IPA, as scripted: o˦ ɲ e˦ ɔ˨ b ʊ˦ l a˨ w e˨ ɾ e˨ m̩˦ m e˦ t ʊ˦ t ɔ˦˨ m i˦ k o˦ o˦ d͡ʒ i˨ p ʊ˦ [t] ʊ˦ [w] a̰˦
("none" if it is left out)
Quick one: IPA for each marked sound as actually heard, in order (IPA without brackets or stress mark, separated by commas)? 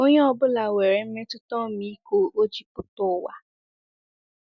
t, w